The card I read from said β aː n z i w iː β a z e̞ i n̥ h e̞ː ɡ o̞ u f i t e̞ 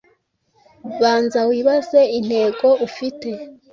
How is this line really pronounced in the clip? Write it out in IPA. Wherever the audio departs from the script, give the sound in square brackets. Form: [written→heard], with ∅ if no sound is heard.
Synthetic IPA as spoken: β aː n z [i→a] w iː β a z e̞ i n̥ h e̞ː ɡ o̞ u f i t e̞